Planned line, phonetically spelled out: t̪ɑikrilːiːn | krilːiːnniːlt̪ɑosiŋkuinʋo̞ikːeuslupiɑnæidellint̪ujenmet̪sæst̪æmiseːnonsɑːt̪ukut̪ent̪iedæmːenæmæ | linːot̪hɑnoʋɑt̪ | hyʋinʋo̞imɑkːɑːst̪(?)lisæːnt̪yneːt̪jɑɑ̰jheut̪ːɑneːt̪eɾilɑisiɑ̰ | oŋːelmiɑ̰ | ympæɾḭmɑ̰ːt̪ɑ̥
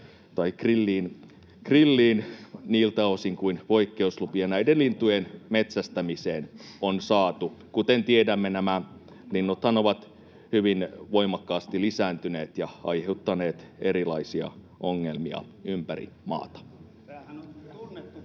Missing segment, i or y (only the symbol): i